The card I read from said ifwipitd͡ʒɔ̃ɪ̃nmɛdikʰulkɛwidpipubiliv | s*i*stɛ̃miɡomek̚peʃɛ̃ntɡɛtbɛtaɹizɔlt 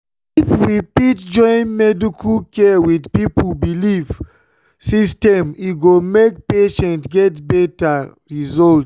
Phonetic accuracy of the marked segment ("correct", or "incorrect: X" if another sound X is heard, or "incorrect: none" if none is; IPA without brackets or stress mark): correct